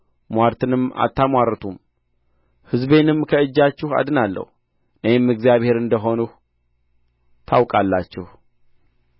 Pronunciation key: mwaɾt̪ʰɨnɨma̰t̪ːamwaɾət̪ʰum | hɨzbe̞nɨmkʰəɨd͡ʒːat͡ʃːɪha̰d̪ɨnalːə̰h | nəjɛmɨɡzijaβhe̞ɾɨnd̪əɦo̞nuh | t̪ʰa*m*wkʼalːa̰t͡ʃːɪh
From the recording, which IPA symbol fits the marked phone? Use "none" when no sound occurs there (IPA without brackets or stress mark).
none